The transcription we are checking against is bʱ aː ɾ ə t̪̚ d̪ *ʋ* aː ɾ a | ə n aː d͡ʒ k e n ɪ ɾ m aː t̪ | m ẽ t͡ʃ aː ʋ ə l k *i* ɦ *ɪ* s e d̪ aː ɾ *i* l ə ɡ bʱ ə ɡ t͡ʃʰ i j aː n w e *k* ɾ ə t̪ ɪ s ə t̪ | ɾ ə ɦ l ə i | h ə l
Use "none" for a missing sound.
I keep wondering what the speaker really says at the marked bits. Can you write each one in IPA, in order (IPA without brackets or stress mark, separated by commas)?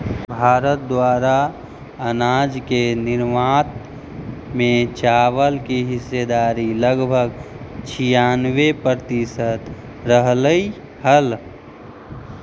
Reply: w, i, ɪ, i, p